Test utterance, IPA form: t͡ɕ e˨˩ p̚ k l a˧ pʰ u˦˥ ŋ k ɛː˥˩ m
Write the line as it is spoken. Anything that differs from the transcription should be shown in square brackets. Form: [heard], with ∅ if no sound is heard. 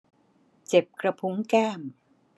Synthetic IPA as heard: t͡ɕ e˨˩ p̚ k [ɾ] a˧ pʰ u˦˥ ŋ k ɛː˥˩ m